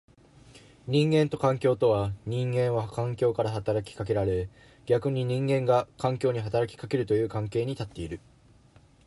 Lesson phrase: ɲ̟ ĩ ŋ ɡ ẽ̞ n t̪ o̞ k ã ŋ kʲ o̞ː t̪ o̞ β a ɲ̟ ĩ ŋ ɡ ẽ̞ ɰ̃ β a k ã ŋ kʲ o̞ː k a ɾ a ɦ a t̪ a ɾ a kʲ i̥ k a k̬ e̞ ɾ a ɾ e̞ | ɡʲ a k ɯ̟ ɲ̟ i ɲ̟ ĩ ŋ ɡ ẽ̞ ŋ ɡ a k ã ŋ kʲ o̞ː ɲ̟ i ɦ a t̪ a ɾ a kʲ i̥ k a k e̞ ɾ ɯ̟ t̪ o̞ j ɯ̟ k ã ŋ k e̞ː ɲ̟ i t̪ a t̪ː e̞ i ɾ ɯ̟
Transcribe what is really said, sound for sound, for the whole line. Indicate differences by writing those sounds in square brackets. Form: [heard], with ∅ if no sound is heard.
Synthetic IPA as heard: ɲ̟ ĩ ŋ ɡ ẽ̞ n t̪ o̞ k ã ŋ kʲ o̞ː t̪ o̞ β a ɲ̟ ĩ ŋ ɡ ẽ̞ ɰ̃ β a k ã ŋ kʲ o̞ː k a ɾ a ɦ a t̪ a ɾ a kʲ i̥ k a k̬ e̞ ɾ a ɾ e̞ | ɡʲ a k ɯ̟ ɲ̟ i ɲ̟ ĩ ŋ ɡ ẽ̞ ŋ ɡ a k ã ŋ kʲ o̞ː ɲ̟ i ɦ a t̪ a ɾ a kʲ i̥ k a k e̞ ɾ ɯ̟ t̪ o̞ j [ɯ̟ː] k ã ŋ k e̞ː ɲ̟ i t̪ a t̪ː e̞ i ɾ ɯ̟